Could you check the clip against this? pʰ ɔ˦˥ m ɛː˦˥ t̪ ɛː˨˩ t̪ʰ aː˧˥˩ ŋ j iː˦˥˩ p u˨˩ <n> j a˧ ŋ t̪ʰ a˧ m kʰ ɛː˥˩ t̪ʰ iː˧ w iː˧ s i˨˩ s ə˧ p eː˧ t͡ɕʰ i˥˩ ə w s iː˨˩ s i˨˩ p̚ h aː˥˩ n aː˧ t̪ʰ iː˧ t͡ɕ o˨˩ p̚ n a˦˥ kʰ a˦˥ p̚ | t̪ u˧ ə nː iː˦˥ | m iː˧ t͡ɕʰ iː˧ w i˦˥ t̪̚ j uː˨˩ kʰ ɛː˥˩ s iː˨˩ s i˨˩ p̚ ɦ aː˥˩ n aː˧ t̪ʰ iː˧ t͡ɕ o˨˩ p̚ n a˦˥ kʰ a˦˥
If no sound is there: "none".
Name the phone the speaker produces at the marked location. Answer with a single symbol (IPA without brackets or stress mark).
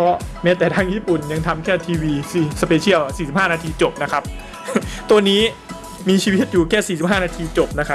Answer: n